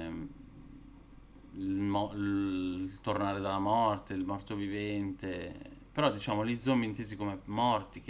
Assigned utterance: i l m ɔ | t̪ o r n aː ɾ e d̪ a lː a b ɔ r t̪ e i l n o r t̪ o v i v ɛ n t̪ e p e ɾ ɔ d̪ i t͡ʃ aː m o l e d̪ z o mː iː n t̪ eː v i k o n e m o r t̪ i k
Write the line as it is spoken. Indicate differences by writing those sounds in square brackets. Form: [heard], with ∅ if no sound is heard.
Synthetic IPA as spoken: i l m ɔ | t̪ o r n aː ɾ e d̪ a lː a [m] ɔ r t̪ e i l [m] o r t̪ o v i v ɛ n t̪ e p e ɾ ɔ d̪ i t͡ʃ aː m o l [i] d̪ z o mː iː n t̪ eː [z] i k o [m] e m [ɔ] r t̪ i k

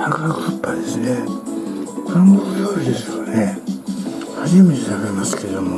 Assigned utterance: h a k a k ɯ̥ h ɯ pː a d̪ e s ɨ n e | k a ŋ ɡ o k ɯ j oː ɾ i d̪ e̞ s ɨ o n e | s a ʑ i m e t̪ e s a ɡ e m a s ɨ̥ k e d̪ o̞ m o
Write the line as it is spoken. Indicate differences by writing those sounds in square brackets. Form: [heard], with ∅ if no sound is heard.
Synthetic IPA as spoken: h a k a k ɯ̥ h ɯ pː a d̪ e s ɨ n e | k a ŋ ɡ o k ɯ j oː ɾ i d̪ e̞ s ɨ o n e | [h] a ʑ i m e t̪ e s a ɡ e m a s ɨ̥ k e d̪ o̞ m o

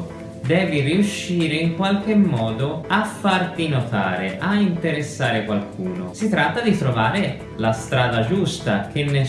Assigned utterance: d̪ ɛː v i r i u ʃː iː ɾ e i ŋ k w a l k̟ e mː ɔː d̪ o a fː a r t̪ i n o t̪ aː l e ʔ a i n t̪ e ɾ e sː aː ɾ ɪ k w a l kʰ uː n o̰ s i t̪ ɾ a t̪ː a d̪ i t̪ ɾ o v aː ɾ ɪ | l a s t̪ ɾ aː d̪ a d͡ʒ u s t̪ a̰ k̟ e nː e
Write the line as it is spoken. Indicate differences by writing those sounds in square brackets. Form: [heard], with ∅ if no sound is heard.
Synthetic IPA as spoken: d̪ ɛː v i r i u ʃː iː ɾ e i ŋ k w a l k̟ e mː ɔː d̪ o a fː a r t̪ i n o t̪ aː [ɾ] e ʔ a i n t̪ e ɾ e sː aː ɾ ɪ k w a l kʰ uː n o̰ s i t̪ ɾ a t̪ː a d̪ i t̪ ɾ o v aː ɾ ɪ | l a s t̪ ɾ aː d̪ a d͡ʒ u s t̪ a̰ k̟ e nː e

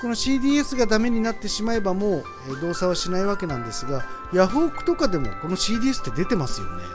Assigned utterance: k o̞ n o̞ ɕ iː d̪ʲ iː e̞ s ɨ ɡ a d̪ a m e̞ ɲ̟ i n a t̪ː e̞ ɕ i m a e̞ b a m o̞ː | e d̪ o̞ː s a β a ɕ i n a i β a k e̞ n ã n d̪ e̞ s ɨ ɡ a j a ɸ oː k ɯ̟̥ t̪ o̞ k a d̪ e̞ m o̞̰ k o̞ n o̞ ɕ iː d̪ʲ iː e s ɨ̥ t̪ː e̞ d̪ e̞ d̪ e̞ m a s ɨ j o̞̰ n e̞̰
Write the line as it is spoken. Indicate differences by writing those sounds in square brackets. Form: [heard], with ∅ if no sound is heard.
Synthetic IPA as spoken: k o̞ n o̞ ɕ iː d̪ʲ iː e̞ s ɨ ɡ a d̪ a m e̞ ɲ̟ i n a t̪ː e̞ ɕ i m a e̞ b a m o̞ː | e d̪ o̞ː s a β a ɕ i n a i β a k e̞ n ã n d̪ e̞ s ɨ ɡ a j a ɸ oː k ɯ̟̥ t̪ o̞ k a d̪ e̞ m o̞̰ k o̞ n o̞ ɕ iː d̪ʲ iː e s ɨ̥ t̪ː e̞ d̪ e̞ [t̪] e̞ m a s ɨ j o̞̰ n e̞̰

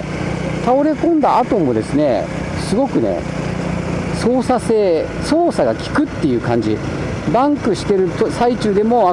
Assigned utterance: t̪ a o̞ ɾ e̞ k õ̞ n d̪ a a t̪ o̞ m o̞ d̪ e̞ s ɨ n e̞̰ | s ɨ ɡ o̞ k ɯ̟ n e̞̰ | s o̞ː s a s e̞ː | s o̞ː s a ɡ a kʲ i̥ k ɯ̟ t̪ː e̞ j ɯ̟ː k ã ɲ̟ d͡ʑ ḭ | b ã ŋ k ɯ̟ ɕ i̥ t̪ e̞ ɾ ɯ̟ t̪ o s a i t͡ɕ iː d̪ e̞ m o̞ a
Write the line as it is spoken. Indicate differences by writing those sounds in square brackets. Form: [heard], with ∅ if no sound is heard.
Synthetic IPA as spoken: t̪ a o̞ ɾ e̞ k õ̞ n d̪ a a t̪ o̞ m o̞ d̪ e̞ s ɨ n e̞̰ | s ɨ ɡ o̞ k ɯ̟ n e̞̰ | s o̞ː s a s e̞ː | s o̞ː s a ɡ a kʲ i̥ k ɯ̟ t̪ː e̞ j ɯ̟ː k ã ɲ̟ d͡ʑ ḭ | b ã ŋ k ɯ̟ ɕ i̥ t̪ e̞ ɾ ɯ̟ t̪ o s a i t͡ɕ [ɨː] d̪ e̞ m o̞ a

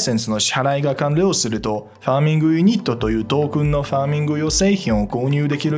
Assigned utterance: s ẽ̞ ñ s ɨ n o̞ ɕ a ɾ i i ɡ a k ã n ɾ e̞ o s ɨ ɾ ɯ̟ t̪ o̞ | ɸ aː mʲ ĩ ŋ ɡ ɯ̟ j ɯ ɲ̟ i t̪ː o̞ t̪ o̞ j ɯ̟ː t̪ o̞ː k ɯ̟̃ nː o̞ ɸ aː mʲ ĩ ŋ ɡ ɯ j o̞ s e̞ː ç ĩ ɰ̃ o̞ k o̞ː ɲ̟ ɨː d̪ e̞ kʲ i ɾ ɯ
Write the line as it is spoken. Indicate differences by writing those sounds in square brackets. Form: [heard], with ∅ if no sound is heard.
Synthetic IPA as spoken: s ẽ̞ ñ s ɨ n o̞ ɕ a ɾ [a] i ɡ a k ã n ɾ e̞ o s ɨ ɾ ɯ̟ t̪ o̞ | ɸ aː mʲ ĩ ŋ ɡ ɯ̟ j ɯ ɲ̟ i t̪ː o̞ t̪ o̞ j ɯ̟ː t̪ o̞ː k ɯ̟̃ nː o̞ ɸ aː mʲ ĩ ŋ ɡ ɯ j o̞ s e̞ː ç ĩ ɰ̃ o̞ k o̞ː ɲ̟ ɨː d̪ e̞ kʲ i ɾ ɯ

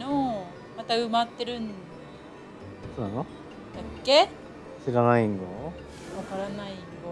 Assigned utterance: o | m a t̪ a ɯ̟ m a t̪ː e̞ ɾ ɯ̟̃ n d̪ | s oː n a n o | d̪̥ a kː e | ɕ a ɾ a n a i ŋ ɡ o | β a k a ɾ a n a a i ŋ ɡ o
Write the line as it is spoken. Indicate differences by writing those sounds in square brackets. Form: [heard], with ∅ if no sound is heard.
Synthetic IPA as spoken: o | m a t̪ a ɯ̟ m a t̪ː e̞ ɾ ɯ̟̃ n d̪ | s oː n a n o | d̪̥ a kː e | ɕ [i] ɾ a n a i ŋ ɡ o | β a k a ɾ a n a [i] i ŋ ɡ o

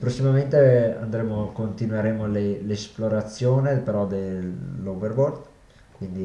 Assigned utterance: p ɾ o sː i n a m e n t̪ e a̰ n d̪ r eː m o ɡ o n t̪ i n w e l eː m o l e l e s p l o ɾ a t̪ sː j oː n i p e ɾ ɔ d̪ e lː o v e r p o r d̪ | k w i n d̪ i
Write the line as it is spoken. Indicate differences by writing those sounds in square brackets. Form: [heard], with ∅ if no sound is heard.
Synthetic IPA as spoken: p ɾ o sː i [m] a m e n t̪ e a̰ n d̪ [ɾ] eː m o [k] o n t̪ i n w e [ɾ] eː m o l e l e s p l o ɾ a t̪ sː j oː n [e] p e ɾ ɔ d̪ e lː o v e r [b] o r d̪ | k w i n d̪ i

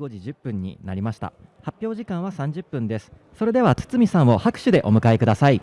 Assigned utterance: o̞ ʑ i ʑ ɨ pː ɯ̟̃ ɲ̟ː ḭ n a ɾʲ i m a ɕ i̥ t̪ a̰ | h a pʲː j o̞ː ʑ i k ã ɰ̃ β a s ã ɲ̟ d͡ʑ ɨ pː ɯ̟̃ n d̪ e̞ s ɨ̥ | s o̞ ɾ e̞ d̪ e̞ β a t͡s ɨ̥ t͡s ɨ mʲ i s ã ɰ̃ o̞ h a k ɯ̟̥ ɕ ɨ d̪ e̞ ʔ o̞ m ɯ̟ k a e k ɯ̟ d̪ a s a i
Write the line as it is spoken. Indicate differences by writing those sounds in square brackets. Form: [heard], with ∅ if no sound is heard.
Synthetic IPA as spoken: o̞ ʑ i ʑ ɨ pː ɯ̟̃ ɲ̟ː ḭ n a ɾʲ i m a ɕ i̥ t̪ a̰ | h a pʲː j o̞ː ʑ i k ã ɰ̃ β a s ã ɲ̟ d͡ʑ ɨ pː ɯ̟̃ n d̪ e̞ s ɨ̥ | s o̞ ɾ e̞ d̪ e̞ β a t͡s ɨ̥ t͡s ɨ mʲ i s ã ɰ̃ o̞ h a k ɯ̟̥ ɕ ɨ d̪ e̞ ʔ o̞ m ɯ̟ k a e k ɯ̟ d̪ a s a i

